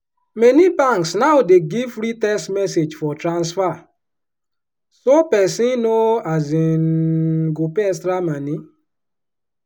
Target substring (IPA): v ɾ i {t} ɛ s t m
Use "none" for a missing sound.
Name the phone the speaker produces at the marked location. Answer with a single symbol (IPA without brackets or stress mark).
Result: t